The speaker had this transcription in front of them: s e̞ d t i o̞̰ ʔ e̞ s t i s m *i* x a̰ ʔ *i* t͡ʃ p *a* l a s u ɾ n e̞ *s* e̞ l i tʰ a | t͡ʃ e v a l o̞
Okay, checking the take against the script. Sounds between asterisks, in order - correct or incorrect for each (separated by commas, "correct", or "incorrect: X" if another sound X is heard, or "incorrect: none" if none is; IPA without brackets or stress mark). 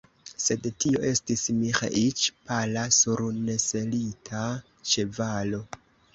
correct, correct, correct, correct